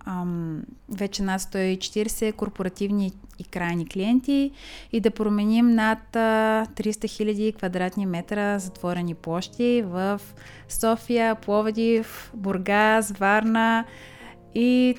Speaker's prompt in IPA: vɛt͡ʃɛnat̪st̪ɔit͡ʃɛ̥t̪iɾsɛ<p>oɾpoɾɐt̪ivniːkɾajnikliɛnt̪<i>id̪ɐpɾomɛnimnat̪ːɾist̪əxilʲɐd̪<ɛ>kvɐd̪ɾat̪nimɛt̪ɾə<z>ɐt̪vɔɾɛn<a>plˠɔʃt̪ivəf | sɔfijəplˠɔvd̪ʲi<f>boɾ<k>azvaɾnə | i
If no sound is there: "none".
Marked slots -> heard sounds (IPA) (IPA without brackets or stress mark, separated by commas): k, i, i, z, i, f, ɡ